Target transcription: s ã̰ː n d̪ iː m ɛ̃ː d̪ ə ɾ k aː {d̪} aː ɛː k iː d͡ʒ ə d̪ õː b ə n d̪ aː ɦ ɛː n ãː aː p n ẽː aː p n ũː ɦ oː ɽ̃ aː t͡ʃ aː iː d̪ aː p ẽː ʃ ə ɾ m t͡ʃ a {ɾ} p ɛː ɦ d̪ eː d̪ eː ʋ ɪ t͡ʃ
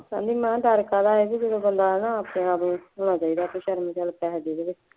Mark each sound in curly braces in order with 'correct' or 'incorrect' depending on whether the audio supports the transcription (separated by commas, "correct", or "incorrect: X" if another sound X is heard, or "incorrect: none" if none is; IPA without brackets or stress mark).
correct, incorrect: l